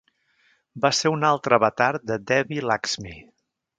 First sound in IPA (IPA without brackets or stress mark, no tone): b